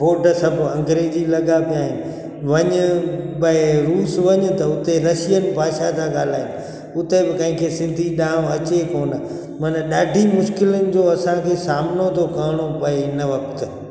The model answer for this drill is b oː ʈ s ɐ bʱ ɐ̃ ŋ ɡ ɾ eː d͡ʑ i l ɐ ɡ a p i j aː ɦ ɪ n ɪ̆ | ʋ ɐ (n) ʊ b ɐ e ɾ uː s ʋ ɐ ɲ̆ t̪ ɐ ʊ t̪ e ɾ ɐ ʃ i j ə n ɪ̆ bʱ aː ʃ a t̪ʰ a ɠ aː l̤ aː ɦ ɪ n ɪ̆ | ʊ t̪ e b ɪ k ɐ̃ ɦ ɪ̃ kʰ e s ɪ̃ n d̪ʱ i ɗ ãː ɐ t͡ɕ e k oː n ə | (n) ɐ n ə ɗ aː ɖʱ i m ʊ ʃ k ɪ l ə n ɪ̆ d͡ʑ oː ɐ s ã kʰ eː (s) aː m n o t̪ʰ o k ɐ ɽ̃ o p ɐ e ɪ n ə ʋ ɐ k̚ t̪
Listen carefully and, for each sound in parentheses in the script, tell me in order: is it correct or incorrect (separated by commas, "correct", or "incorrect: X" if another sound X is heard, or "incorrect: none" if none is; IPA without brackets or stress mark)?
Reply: incorrect: ɲ, incorrect: m, correct